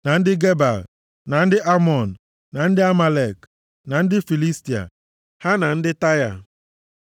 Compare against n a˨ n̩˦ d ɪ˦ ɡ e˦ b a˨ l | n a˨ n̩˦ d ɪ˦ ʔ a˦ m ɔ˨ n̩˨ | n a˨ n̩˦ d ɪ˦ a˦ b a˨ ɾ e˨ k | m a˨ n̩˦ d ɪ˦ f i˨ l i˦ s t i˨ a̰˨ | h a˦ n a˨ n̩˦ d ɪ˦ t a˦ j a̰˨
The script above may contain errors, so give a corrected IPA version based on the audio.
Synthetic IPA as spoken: n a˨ n̩˦ d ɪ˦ ɡ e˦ b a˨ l | n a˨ n̩˦ d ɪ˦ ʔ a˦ m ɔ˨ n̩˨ | n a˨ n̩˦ d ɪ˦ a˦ m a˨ l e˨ k | n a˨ n̩˦ d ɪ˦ f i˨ l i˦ s t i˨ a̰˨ | h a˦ n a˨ n̩˦ d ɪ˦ t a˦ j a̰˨